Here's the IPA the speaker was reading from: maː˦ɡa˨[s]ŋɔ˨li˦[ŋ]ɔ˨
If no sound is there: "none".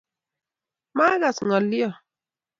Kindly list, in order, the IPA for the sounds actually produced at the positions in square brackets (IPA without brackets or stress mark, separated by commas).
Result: s, none